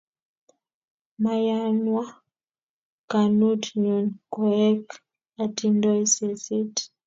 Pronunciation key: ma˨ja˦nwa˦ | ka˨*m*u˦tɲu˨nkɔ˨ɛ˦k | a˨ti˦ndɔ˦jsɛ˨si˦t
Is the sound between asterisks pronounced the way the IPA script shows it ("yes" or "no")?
no